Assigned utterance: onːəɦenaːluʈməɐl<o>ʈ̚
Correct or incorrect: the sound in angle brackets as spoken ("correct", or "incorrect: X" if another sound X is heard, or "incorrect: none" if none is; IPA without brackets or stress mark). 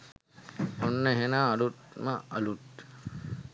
incorrect: u